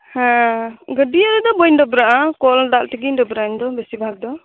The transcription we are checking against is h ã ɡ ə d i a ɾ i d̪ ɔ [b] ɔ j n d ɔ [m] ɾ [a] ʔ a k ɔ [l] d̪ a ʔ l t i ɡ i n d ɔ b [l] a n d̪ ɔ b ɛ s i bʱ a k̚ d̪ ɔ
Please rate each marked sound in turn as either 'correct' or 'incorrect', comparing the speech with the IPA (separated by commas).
correct, incorrect, correct, correct, incorrect